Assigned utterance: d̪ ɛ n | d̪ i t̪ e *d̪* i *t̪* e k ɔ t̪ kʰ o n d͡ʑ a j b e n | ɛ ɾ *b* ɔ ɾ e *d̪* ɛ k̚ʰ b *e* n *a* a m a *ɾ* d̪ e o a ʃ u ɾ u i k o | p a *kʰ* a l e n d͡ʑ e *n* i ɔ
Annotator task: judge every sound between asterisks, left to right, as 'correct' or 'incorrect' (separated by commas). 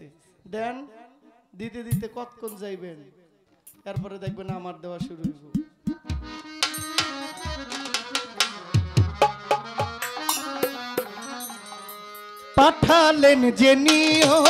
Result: correct, correct, incorrect, correct, correct, correct, correct, incorrect, correct